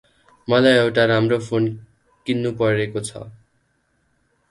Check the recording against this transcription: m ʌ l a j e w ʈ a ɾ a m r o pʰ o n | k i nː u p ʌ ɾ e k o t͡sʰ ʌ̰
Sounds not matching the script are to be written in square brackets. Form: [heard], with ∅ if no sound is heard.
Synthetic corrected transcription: m ʌ l a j e w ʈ a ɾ a m r o pʰ o n | k i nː u p ʌ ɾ e k o t͡sʰ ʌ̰